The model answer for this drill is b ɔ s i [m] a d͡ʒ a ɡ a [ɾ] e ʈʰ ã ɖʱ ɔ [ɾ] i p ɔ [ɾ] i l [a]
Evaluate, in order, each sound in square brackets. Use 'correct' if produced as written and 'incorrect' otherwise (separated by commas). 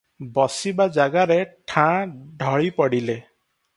incorrect, correct, incorrect, incorrect, incorrect